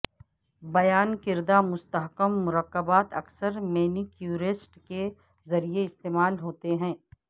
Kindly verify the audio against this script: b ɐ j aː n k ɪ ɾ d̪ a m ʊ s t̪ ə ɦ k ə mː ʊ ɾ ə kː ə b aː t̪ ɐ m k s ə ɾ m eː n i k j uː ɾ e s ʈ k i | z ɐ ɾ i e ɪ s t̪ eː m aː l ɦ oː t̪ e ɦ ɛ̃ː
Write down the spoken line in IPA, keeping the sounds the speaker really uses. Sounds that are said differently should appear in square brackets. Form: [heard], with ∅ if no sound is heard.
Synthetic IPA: b ɐ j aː n k ɪ ɾ d̪ a m ʊ s t̪ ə ɦ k ə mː ʊ ɾ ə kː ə b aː t̪ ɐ [∅] k s ə ɾ m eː n i k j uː ɾ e s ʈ k [e] | z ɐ ɾ i e ɪ s t̪ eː m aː l ɦ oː t̪ e ɦ ɛ̃ː